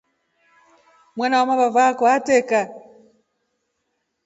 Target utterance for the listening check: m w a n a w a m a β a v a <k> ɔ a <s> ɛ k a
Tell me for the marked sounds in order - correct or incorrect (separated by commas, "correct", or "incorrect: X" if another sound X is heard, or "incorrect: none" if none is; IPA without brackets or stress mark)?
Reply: correct, incorrect: t